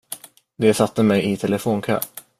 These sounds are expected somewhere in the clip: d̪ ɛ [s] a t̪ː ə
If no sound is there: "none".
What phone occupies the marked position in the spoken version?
s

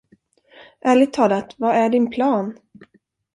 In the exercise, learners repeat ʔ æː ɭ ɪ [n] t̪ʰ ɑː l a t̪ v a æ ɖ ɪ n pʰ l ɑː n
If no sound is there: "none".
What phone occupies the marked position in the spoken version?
none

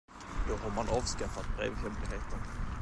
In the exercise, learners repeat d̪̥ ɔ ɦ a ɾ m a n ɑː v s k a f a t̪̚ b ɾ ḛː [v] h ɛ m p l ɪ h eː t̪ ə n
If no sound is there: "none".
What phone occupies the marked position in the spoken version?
v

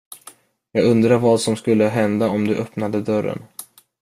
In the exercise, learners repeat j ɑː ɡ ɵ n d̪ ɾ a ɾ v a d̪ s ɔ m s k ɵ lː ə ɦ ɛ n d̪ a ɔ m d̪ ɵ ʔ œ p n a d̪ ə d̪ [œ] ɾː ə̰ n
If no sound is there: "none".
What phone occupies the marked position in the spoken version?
œ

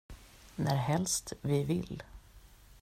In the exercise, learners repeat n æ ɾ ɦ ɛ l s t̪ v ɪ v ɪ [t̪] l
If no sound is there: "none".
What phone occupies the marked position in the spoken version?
none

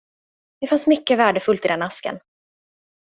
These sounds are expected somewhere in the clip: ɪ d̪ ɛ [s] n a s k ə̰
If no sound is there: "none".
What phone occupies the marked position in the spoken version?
none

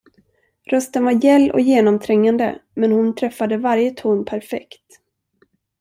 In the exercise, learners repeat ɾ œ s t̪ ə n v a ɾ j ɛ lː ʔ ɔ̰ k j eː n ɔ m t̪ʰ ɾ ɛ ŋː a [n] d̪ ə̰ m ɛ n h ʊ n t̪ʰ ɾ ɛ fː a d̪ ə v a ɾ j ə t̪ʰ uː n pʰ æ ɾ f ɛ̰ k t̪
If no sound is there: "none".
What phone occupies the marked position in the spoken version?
n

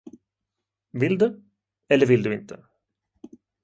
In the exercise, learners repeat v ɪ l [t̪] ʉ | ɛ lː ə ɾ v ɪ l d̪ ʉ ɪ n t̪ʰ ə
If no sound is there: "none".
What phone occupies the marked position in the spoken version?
d̪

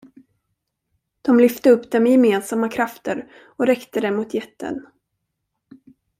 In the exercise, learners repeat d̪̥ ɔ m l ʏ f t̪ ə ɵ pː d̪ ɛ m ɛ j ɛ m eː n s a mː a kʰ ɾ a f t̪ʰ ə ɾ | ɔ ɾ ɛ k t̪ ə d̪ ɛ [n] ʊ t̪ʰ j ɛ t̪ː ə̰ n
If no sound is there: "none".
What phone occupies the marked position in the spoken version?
m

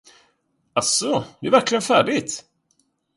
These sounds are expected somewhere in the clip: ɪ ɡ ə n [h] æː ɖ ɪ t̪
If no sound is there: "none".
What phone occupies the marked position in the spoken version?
f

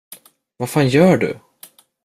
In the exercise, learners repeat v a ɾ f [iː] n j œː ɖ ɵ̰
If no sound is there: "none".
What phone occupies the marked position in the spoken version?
aː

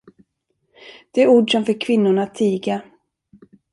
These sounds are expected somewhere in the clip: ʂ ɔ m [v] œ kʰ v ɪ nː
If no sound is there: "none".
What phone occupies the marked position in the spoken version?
f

